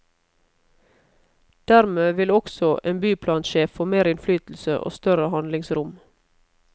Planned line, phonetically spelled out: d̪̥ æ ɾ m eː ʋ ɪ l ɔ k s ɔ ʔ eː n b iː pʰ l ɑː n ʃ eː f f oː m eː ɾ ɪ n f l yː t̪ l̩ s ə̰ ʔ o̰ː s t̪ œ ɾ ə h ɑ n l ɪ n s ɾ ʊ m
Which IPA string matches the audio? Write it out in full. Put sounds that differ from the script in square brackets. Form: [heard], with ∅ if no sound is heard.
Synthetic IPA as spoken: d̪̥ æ ɾ m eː ʋ ɪ l ɔ k s ɔ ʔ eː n b [yː] pʰ l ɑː n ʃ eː f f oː m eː ɾ ɪ n f l yː t̪ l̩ s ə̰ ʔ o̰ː s t̪ œ ɾ ə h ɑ n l ɪ [ŋ] s ɾ ʊ m